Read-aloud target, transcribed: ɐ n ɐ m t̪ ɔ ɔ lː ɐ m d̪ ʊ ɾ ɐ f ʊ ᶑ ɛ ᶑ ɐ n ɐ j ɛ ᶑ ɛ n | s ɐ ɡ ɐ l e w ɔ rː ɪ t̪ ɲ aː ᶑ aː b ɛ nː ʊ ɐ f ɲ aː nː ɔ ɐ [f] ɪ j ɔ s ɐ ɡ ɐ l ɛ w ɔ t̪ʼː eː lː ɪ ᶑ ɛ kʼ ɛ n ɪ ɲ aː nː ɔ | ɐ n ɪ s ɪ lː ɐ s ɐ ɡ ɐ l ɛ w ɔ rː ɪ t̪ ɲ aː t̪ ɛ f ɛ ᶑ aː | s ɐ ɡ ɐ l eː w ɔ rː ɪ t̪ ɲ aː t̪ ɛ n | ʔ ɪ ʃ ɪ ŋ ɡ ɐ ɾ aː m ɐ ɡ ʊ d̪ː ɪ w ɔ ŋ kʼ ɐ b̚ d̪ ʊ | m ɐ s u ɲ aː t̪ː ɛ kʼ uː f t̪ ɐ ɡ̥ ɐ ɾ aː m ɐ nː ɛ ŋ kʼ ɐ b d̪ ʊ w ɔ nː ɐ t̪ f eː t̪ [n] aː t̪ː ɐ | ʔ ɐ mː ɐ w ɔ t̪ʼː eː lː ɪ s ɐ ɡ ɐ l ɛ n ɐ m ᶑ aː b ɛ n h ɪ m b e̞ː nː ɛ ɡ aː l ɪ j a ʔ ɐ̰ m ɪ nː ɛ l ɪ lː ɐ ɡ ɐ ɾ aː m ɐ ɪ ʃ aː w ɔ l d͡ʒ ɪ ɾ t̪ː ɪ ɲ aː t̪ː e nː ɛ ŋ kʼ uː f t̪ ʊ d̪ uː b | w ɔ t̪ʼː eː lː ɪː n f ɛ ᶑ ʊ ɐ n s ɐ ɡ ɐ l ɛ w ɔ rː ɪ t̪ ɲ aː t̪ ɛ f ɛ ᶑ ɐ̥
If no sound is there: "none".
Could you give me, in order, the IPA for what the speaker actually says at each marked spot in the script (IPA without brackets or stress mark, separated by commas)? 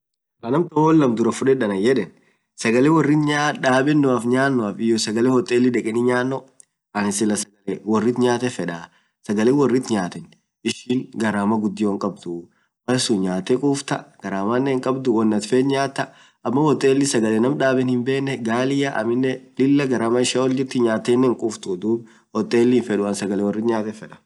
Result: f, ɲ